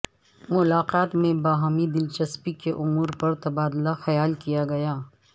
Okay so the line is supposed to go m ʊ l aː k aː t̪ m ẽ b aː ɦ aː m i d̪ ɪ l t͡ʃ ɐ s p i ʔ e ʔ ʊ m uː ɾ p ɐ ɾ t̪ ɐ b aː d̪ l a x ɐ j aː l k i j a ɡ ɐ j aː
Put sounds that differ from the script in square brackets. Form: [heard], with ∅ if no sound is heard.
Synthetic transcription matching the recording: m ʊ l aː [q] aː t̪ m ẽ b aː ɦ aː m i d̪ ɪ l t͡ʃ ɐ s p i [k] e ʔ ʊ m uː ɾ p ɐ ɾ t̪ ɐ b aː d̪ l a x ɐ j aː l k i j a ɡ ɐ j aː